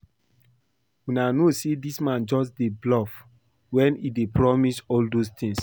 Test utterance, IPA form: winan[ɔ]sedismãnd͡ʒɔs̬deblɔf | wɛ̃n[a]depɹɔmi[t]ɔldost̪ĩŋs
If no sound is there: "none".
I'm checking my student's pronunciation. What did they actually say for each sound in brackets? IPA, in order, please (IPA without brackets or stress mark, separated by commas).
o, i, s